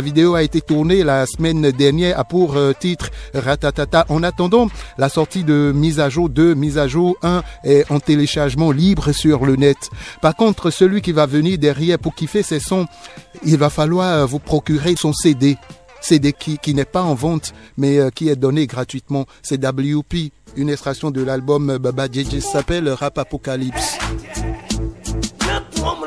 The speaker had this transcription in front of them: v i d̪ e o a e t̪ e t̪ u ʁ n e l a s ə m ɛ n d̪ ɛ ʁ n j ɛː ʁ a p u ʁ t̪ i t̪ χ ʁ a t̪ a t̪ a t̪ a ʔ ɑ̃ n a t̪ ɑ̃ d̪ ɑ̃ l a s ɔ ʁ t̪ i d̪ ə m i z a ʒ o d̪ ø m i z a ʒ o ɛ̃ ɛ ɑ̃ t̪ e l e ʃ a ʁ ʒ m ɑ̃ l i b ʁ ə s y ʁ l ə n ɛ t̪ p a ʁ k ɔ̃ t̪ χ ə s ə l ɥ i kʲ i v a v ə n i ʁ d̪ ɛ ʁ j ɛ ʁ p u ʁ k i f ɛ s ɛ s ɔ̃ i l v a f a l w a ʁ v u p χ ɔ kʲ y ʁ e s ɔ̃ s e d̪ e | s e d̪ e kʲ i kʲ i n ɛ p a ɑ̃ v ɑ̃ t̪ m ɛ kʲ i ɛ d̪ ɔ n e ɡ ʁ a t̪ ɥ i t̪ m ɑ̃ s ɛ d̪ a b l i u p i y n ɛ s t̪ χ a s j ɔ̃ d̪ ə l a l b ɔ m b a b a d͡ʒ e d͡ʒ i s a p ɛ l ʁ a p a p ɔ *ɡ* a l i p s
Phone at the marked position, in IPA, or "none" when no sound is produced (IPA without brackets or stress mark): k